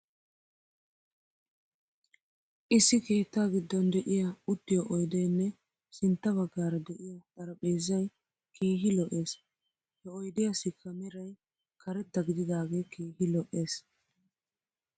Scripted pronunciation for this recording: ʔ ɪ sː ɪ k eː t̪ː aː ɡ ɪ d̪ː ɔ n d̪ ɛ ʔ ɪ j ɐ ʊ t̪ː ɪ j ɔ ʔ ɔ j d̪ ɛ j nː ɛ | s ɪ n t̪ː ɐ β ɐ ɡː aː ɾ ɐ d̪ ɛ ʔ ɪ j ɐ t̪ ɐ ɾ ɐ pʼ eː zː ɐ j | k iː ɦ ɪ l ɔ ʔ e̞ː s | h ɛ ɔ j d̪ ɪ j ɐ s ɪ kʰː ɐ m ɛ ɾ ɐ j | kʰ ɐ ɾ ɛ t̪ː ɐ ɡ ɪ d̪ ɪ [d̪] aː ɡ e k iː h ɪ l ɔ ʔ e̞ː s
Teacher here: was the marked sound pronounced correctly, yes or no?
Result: yes